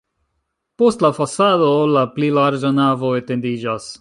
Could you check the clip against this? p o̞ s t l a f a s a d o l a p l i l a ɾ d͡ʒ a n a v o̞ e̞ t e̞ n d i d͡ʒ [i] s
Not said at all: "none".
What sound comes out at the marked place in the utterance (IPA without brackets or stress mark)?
a